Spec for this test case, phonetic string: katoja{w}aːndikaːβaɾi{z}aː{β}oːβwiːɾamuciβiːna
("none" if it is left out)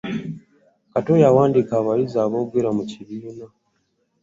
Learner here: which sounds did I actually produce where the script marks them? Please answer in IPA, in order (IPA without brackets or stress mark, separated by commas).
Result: w, z, β